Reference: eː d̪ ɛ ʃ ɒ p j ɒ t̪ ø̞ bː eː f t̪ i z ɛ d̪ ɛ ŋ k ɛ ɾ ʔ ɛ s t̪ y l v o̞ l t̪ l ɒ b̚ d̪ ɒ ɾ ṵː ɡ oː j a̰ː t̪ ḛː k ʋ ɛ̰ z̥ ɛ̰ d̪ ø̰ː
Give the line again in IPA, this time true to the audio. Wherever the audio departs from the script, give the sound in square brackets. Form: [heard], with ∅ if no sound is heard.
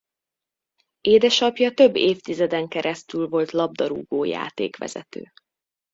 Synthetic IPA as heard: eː d̪ ɛ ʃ ɒ p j ɒ t̪ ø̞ bː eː f t̪ i z ɛ d̪ ɛ ŋ k ɛ ɾ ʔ ɛ s t̪ y l v o̞ l t̪ l ɒ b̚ d̪ ɒ ɾ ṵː ɡ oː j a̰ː t̪ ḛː k ʋ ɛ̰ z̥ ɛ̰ [t̪] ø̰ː